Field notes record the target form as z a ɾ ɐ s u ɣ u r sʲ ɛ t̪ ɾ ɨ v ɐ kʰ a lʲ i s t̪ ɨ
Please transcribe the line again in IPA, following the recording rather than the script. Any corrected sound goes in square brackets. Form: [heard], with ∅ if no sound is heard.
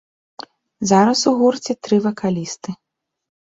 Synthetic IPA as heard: z a ɾ ɐ s u ɣ u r [t͡sʲ] ɛ t̪ ɾ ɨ v ɐ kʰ a lʲ i s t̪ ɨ

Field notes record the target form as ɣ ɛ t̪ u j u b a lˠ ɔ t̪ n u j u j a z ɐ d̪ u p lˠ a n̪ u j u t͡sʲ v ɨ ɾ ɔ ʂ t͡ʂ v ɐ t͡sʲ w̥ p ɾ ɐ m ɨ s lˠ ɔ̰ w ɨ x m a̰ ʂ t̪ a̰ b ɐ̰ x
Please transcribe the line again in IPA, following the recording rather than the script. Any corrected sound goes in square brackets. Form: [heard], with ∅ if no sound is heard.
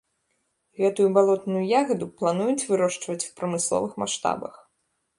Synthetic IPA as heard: ɣ ɛ t̪ u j u b a lˠ ɔ t̪ n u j u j a [ɣ] ɐ d̪ u p lˠ a n̪ u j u t͡sʲ v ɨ ɾ ɔ ʂ t͡ʂ v ɐ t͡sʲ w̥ p ɾ ɐ m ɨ s lˠ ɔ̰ [v] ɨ x m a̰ ʂ t̪ a̰ b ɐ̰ x

